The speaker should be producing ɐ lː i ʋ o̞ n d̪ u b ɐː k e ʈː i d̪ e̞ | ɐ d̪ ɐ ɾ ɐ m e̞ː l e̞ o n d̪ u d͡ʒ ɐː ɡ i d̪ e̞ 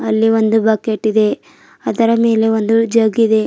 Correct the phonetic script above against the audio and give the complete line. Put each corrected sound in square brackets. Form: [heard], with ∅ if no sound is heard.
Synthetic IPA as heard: ɐ lː i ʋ o̞ n d̪ u b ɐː k e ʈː i d̪ e̞ | ɐ d̪ ɐ ɾ ɐ m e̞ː l e̞ o n d̪ u d͡ʒ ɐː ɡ i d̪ e̞